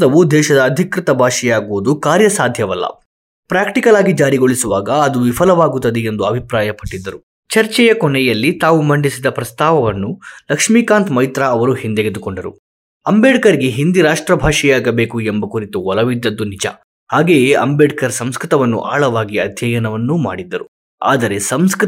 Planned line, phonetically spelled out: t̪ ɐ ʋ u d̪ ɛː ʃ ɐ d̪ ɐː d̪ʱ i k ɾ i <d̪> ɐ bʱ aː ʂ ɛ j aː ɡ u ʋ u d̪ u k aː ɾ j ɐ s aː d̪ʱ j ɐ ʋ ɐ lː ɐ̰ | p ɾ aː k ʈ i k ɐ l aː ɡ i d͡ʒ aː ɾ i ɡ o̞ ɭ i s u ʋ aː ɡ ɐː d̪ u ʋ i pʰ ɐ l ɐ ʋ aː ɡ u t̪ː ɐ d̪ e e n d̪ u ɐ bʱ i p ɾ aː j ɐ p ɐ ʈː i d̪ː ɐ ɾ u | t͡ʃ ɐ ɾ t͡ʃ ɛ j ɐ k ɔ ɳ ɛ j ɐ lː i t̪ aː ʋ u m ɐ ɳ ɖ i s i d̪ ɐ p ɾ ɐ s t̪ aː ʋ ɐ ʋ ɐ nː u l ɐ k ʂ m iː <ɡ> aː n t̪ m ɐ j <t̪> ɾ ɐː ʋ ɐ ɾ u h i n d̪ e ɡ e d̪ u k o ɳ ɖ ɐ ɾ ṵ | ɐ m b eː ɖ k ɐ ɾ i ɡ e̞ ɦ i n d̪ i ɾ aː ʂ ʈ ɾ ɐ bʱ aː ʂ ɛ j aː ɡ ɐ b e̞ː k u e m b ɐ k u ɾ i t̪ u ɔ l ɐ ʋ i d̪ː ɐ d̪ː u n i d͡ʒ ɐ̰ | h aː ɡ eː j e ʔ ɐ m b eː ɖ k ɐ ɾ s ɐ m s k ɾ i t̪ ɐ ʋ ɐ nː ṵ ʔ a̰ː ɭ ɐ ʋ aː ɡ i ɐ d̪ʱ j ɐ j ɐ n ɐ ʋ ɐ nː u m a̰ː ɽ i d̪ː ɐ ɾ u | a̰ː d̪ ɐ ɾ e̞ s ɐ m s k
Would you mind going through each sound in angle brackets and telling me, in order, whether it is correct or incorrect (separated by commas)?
incorrect, incorrect, correct